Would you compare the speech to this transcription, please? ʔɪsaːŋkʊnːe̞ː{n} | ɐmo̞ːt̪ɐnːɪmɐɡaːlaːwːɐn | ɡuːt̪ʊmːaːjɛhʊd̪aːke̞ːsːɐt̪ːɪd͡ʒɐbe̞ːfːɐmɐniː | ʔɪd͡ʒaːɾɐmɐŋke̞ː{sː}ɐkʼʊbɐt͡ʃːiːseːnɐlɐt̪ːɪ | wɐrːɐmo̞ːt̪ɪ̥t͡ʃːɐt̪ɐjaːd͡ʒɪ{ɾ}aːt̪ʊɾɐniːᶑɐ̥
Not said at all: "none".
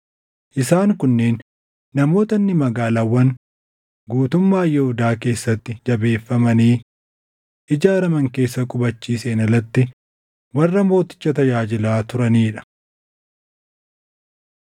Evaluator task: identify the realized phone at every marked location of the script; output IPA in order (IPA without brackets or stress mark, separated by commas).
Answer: nː, sː, l